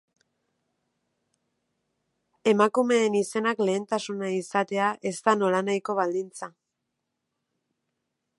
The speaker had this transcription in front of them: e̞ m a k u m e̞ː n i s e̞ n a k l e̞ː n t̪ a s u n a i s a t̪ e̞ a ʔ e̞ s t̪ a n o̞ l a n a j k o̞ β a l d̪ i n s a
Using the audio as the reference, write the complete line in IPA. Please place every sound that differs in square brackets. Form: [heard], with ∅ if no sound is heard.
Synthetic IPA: e̞ m a k u m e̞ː n i s e̞ n a k l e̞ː n t̪ a s u n a i s a t̪ e̞ a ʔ e̞ s t̪ a n o̞ l a n a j k o̞ β a l d̪ i n [t͡s] a